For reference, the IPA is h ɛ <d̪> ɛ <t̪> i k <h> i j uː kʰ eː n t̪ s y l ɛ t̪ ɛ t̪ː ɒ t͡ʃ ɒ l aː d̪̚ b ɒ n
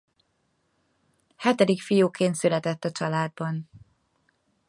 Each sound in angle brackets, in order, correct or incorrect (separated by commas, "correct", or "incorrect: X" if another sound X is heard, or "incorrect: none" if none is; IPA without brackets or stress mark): incorrect: t̪, incorrect: d̪, incorrect: f